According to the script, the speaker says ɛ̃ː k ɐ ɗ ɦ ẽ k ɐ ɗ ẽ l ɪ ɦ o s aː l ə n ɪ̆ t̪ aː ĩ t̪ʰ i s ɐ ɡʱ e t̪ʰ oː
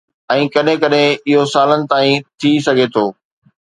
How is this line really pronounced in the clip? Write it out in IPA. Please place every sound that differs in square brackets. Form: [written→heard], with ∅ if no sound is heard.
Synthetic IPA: ɛ̃ː k ɐ ɗ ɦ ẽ k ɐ ɗ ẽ [l→∅] ɪ ɦ o s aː l ə n ɪ̆ t̪ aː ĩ t̪ʰ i s ɐ ɡʱ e t̪ʰ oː